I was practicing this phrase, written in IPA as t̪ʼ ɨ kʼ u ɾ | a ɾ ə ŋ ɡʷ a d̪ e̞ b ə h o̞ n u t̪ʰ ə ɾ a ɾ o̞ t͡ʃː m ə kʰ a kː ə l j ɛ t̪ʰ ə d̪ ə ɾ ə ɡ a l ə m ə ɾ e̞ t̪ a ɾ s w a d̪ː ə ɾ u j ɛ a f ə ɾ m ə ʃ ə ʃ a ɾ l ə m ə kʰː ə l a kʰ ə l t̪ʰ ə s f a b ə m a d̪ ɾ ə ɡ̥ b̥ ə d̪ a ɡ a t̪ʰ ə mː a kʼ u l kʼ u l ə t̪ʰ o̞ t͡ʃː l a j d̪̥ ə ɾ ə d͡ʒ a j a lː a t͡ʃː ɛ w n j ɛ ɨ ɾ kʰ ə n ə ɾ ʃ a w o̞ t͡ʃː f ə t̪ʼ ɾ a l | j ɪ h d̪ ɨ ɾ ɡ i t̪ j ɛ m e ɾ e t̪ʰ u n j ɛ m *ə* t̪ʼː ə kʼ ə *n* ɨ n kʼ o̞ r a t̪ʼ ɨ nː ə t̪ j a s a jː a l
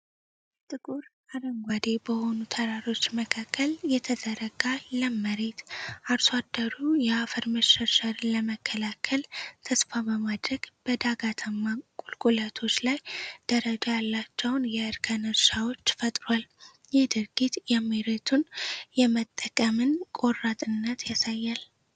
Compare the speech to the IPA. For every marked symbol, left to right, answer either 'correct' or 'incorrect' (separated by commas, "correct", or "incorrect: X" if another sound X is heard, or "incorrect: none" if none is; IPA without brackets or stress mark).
correct, incorrect: m